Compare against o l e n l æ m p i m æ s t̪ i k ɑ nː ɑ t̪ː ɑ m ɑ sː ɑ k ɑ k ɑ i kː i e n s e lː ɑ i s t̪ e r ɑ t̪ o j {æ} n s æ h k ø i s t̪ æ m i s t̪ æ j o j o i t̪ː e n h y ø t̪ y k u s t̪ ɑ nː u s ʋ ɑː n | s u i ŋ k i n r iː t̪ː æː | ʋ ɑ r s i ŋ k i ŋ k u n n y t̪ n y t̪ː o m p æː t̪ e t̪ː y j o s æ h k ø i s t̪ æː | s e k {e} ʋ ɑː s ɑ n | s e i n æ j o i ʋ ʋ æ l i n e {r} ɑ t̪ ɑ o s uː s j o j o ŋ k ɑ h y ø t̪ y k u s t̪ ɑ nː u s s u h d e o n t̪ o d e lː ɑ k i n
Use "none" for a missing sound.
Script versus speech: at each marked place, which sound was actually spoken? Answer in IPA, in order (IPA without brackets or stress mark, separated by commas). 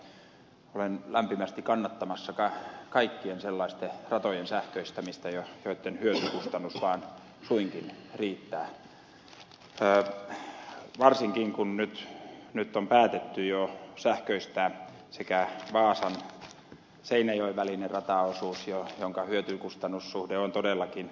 e, æ, r